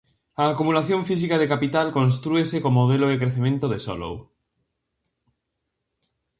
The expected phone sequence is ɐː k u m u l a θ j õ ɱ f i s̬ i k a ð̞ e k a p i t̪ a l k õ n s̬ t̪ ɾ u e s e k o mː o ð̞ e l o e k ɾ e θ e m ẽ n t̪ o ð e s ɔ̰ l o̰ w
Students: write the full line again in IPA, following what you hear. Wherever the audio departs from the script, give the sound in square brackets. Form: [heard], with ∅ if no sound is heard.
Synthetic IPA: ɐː k u m u l a θ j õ ɱ f i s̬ i k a ð̞ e k a p i t̪ a l k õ n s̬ t̪ ɾ u e s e k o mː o ð̞ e l o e k ɾ e θ e m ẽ n t̪ o ð e s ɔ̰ l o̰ w